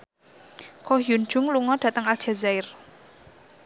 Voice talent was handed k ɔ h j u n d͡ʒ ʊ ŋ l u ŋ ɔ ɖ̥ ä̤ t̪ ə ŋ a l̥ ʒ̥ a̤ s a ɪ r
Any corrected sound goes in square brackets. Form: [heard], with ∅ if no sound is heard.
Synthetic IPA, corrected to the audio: k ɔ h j u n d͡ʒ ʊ ŋ l u ŋ ɔ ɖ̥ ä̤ t̪ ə ŋ a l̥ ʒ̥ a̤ [z] a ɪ r